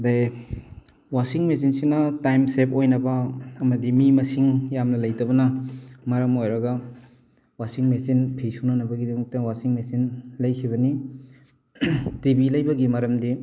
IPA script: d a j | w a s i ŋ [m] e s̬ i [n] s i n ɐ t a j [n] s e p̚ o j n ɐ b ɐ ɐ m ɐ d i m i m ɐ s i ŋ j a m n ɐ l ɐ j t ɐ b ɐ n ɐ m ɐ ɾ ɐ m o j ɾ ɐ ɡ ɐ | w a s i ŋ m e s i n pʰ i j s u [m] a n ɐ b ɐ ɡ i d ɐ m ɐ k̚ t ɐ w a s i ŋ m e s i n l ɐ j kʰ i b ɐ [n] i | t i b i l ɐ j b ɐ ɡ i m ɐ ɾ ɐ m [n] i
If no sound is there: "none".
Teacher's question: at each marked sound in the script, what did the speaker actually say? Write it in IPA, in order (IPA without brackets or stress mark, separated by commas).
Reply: m, n, m, n, n, d